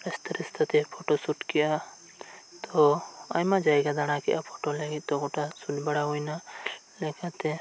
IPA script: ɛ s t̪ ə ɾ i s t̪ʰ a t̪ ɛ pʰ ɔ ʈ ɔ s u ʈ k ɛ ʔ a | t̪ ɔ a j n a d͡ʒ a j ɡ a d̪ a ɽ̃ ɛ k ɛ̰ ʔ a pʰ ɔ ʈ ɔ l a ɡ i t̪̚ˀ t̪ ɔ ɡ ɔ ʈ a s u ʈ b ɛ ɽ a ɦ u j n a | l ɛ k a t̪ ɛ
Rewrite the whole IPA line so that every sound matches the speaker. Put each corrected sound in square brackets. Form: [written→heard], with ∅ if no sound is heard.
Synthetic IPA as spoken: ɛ s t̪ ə ɾ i s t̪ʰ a t̪ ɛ pʰ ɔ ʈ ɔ s u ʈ k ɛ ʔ a | t̪ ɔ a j [n→m] a d͡ʒ a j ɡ a d̪ a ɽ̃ [ɛ→a] k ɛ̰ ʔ a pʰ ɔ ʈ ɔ l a ɡ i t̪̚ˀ t̪ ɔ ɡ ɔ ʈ a s u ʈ b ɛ ɽ a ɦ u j n a | l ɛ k a t̪ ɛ

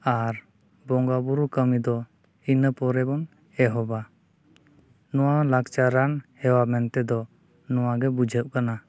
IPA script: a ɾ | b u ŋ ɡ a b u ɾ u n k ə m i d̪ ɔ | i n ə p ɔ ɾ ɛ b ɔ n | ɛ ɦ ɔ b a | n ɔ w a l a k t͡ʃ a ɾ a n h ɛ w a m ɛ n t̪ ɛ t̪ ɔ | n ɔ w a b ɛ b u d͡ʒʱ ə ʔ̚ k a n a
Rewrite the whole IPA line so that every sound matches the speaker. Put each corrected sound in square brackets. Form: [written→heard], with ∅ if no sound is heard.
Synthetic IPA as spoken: a ɾ | b [u→ɔ] ŋ ɡ a b u ɾ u [n→∅] k ə m i d̪ ɔ | i n ə p ɔ ɾ ɛ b ɔ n | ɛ ɦ ɔ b a | n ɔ w a l a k t͡ʃ a ɾ a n h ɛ w a m ɛ n t̪ ɛ [t̪→d̪] ɔ | n ɔ w a [b→ɡ] ɛ b u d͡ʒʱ ə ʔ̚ k a n a

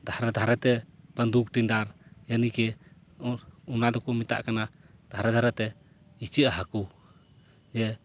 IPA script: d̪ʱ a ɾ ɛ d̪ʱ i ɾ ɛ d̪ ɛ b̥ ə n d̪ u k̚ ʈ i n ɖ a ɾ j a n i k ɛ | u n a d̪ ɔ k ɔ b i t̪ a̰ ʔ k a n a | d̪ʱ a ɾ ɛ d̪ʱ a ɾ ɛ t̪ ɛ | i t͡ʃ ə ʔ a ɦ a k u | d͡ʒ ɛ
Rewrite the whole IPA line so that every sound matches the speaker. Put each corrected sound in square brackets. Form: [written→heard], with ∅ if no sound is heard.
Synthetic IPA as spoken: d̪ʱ a ɾ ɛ d̪ʱ [i→a] ɾ ɛ [d̪→t̪] ɛ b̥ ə n d̪ u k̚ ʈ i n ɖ a ɾ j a n i k ɛ | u n a d̪ ɔ k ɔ [b→m] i t̪ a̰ ʔ k a n a | d̪ʱ a ɾ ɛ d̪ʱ a ɾ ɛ t̪ ɛ | i t͡ʃ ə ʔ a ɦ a k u | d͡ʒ ɛ

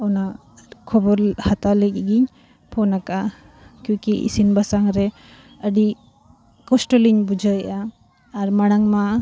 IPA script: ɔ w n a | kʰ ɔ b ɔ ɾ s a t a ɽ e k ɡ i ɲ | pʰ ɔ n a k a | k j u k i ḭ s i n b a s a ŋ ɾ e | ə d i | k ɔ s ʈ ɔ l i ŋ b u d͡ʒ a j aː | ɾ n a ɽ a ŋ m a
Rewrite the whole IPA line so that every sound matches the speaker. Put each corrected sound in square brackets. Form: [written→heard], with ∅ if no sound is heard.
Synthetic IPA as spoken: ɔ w n a | kʰ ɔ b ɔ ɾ [s→h] a t a [ɽ→l] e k ɡ i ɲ | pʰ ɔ n a k a | k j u k i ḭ s i n b a s a ŋ ɾ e | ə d i | k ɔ s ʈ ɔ l i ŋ b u d͡ʒ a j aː | ɾ [n→m] a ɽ a ŋ m a

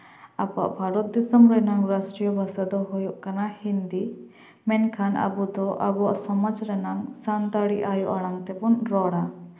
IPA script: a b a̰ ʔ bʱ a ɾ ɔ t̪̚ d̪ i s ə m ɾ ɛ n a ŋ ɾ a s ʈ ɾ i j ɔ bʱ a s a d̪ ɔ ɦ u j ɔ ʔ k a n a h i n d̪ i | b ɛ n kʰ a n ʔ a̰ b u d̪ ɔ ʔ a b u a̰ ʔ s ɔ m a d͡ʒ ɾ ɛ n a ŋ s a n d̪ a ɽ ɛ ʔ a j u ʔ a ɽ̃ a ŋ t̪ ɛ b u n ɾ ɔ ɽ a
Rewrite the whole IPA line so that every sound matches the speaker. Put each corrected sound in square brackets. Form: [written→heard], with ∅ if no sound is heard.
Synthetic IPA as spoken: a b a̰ ʔ bʱ a ɾ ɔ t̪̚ d̪ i s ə m ɾ ɛ n a ŋ ɾ a s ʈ ɾ i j ɔ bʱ a s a d̪ ɔ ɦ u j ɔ ʔ k a n a h i n d̪ i | [b→m] ɛ n kʰ a n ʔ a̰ b u d̪ ɔ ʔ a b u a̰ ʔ s ɔ m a d͡ʒ ɾ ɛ n a ŋ s a n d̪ a ɽ [ɛ→i] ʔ a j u ʔ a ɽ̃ a ŋ t̪ ɛ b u n ɾ ɔ ɽ a

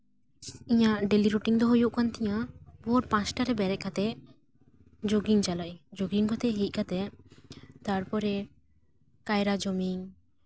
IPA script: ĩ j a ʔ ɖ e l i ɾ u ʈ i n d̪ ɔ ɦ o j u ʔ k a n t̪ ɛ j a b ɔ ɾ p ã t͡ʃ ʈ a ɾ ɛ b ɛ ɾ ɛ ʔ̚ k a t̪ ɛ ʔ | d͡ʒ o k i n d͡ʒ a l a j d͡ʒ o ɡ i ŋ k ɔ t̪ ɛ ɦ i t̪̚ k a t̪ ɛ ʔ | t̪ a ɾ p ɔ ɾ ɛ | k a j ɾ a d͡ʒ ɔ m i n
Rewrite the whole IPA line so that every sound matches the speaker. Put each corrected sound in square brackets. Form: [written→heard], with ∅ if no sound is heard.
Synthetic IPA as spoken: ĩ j a ʔ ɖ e l i ɾ u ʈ i [n→ŋ] d̪ ɔ ɦ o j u ʔ k a n t̪ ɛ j a b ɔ ɾ p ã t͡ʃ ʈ a ɾ ɛ b ɛ ɾ ɛ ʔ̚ k a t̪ ɛ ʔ | d͡ʒ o [k→ɡ] i [n→ŋ] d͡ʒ a l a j d͡ʒ o ɡ i ŋ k ɔ t̪ ɛ ɦ i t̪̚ k a t̪ ɛ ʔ | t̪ a ɾ p ɔ ɾ ɛ | k a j ɾ a d͡ʒ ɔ m i [n→ŋ]

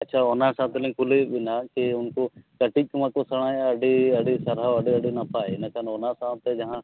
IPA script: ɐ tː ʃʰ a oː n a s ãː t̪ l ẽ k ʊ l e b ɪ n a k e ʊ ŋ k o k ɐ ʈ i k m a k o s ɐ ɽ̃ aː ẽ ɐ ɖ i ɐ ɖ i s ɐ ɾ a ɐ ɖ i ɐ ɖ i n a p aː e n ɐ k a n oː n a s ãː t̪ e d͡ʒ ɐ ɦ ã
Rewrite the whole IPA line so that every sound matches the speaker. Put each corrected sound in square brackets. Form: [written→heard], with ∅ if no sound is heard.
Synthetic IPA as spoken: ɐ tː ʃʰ a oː n a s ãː t̪ l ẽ k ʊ l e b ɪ n a k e ʊ [ŋ→n] k o k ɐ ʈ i k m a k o s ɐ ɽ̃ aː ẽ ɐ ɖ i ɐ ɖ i s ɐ ɾ a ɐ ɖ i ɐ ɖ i n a p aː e n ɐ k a n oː n a s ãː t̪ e d͡ʒ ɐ ɦ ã

